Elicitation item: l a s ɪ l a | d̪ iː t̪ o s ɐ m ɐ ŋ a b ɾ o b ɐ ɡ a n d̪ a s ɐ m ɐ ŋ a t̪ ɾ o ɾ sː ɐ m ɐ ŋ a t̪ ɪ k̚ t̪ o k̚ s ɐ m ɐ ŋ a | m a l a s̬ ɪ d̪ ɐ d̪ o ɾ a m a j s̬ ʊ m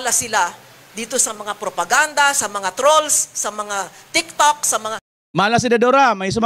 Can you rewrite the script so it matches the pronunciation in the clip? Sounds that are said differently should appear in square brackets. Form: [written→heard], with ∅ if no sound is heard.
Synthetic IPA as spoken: l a s ɪ l a | d̪ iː t̪ o s ɐ m ɐ ŋ a [b→p] ɾ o [b→p] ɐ ɡ a n d̪ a s ɐ m ɐ ŋ a t̪ ɾ o [ɾ→l] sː ɐ m ɐ ŋ a t̪ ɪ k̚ t̪ o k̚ s ɐ m ɐ ŋ a | m a l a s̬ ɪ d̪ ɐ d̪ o ɾ a m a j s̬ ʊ m